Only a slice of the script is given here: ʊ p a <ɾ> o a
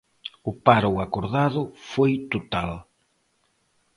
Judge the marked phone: correct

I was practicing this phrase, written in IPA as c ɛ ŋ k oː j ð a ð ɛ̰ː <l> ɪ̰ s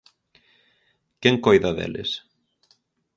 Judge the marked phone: correct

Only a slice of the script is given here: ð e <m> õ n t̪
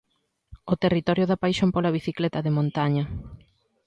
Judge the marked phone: correct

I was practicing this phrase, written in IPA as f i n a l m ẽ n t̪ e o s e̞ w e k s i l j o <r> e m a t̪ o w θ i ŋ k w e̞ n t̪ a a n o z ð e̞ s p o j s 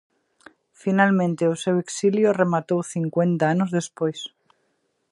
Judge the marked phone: correct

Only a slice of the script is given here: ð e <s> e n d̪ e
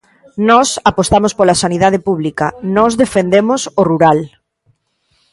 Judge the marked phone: incorrect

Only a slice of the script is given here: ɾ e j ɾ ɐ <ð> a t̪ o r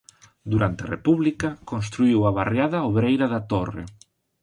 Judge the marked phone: correct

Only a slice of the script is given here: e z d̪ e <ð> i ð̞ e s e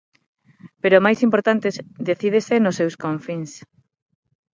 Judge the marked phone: incorrect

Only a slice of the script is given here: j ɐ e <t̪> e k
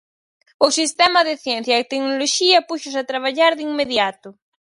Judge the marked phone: correct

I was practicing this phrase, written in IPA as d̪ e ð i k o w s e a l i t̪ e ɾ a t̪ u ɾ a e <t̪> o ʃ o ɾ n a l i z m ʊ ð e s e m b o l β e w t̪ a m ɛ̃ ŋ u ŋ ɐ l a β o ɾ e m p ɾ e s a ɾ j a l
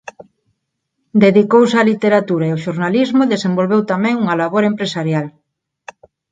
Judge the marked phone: incorrect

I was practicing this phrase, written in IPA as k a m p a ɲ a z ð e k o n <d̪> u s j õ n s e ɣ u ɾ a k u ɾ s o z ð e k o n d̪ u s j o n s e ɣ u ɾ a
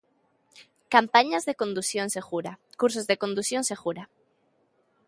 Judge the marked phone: correct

